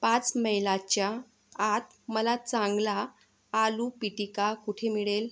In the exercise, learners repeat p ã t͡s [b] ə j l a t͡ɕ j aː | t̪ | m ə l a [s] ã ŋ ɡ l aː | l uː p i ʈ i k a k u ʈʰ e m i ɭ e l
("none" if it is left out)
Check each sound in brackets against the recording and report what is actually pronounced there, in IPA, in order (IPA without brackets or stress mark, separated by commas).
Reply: m, t͡s